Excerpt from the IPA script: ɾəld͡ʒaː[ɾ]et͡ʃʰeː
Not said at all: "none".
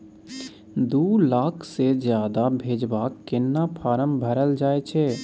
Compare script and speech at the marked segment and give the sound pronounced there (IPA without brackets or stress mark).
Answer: none